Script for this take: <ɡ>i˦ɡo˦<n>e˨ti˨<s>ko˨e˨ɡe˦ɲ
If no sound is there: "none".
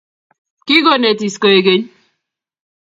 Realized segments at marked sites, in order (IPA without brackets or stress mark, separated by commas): k, n, s